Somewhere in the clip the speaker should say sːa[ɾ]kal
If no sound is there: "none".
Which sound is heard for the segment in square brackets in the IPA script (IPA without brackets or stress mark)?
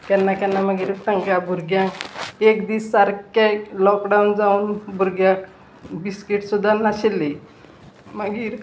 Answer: ɾ